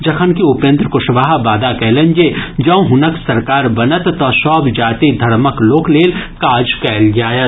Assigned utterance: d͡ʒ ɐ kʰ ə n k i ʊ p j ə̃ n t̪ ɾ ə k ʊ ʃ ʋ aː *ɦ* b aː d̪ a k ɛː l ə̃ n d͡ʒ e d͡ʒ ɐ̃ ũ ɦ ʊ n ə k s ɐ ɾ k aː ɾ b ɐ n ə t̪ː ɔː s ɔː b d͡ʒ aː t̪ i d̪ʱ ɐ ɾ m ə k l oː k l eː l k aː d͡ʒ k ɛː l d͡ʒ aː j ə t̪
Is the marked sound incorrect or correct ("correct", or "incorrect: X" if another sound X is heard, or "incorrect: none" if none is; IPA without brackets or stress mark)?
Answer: correct